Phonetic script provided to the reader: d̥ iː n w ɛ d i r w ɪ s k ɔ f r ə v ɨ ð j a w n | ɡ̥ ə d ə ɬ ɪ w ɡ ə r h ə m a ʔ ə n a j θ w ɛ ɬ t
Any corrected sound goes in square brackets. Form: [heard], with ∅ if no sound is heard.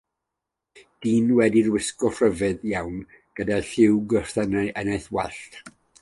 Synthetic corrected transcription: d̥ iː n w ɛ d i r w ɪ s k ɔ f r ə v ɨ ð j a w n | ɡ̥ ə d [a] ɬ ɪ w ɡ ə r [θ] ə [n] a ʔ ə n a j θ w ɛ ɬ t

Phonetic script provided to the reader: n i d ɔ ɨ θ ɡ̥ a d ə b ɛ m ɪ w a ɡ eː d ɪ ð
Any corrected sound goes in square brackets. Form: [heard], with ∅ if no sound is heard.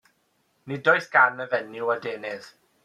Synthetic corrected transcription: n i d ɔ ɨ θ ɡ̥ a [n] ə [v] ɛ [n] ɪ w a [d] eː [n] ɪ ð

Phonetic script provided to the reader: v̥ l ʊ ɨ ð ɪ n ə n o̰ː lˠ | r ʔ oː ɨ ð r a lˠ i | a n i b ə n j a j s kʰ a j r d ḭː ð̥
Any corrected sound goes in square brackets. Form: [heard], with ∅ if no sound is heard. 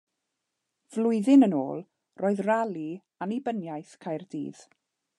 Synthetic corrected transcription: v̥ l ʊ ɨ ð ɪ n ə n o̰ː lˠ | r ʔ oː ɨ ð r a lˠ i | a n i b ə n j a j [θ] kʰ a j r d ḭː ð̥

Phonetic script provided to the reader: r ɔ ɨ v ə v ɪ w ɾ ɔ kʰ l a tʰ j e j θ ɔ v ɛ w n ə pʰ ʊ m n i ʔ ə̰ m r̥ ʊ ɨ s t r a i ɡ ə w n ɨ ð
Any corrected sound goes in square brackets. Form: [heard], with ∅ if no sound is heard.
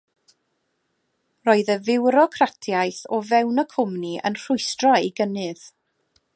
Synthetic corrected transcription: r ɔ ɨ [ð] ə v ɪ w ɾ ɔ kʰ [r] a tʰ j [a] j θ ɔ v ɛ w n ə [kʰ] ʊ m n i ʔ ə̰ [n] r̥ ʊ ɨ s t r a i ɡ ə [∅] n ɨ ð

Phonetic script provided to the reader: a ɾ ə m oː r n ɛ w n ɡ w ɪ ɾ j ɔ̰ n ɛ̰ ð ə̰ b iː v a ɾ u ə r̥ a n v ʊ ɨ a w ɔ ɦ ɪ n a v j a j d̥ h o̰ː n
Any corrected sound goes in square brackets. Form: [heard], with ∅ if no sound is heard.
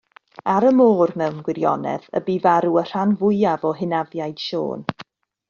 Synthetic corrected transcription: a ɾ ə m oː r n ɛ w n ɡ w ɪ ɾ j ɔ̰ n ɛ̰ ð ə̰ b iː v a ɾ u ə r̥ a n v ʊ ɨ a [v] ɔ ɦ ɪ n a v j a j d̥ [ʃ] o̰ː n

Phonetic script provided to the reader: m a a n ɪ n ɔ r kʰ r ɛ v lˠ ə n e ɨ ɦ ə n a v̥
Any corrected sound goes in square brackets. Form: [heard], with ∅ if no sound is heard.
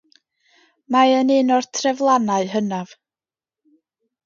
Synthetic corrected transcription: m a [ə] n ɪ n ɔ r [tʰ] r ɛ v lˠ [a] n [a] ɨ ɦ ə n a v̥

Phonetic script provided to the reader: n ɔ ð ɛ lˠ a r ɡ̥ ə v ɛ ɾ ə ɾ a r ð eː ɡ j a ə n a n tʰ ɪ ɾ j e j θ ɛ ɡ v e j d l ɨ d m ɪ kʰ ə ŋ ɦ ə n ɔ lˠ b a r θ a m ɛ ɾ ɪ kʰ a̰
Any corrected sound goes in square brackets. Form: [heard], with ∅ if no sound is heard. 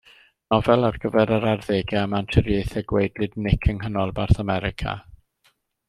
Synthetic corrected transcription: n ɔ [v] ɛ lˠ a r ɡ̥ ə v ɛ ɾ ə ɾ a r ð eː ɡ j a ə [m] a n tʰ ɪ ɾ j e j θ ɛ ɡ [w] e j d l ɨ d [n] ɪ kʰ ə ŋ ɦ ə n ɔ lˠ b a r θ a m ɛ ɾ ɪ kʰ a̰

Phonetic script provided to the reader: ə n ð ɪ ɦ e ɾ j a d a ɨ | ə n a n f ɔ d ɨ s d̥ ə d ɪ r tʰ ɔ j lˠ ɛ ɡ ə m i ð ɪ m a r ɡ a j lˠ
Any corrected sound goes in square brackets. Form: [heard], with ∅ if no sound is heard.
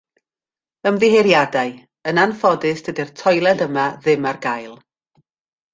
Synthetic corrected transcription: ə [m] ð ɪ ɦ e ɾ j a d a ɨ | ə n a n f ɔ d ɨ s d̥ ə d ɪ r tʰ ɔ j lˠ ɛ [d] ə m [a] ð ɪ m a r ɡ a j lˠ

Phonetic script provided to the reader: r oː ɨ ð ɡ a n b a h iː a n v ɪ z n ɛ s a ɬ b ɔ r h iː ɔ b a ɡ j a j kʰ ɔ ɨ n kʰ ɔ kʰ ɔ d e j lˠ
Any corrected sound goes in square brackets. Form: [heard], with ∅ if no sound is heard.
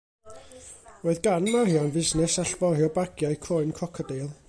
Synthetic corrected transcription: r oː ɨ ð ɡ a n [m] a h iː a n v ɪ z n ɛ s a ɬ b ɔ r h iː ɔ b a ɡ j a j kʰ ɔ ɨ n kʰ ɔ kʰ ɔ d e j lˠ

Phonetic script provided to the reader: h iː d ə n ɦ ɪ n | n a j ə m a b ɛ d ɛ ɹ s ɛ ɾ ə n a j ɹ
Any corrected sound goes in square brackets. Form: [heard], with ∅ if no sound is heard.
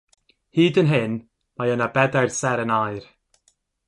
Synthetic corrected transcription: h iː d ə n ɦ ɪ n | [m] a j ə [n] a b ɛ d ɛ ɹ s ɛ ɾ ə n a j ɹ

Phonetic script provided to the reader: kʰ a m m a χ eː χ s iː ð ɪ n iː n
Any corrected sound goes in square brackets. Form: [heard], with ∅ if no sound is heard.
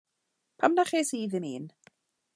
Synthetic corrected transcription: [pʰ] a m [n] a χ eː [∅] s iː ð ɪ [m] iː n

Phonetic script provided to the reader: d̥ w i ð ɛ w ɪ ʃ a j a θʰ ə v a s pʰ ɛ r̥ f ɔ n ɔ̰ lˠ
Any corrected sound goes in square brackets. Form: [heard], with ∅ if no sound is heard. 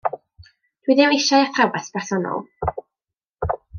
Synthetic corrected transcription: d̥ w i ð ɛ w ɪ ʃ a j a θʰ [a] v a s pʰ ɛ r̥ [s] ɔ n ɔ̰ lˠ

